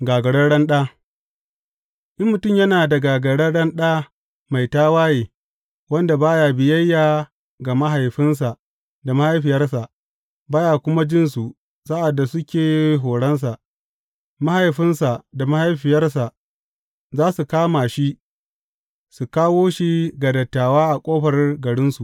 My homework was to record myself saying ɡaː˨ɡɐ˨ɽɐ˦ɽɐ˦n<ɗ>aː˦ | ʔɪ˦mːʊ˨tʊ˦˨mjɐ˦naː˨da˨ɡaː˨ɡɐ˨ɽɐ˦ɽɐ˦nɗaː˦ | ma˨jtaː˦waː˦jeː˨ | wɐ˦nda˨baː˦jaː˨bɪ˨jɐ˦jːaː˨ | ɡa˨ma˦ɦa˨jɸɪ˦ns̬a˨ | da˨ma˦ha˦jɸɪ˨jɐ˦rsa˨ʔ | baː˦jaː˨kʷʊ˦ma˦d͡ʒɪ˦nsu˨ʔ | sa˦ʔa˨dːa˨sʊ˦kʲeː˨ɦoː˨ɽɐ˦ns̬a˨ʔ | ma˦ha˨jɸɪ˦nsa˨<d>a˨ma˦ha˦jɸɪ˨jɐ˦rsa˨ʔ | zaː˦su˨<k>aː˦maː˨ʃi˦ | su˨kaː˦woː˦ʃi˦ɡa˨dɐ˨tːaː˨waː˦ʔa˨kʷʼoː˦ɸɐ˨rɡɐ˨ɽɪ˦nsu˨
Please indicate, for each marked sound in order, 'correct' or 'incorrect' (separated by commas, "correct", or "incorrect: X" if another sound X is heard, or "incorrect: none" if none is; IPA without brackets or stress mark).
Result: correct, correct, correct